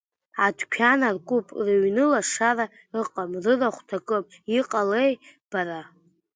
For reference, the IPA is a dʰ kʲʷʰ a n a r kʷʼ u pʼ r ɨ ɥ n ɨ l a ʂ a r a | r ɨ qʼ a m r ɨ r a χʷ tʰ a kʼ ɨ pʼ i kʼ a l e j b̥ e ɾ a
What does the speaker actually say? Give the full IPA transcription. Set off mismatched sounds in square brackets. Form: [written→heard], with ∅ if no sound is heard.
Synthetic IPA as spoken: a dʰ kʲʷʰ a n a r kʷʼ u pʼ r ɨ ɥ n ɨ l a ʂ a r a | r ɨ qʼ a m r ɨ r a χʷ tʰ a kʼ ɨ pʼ i [kʼ→qʼ] a l e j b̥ [e→a] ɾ a